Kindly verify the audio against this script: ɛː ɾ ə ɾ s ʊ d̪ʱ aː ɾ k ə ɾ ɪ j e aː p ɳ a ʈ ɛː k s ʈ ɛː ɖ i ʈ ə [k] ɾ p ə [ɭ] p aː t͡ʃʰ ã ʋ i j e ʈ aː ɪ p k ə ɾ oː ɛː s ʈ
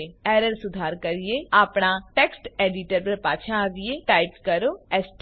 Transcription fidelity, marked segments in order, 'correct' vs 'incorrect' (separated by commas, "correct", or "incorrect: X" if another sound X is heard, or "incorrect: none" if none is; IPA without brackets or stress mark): incorrect: none, incorrect: ɾ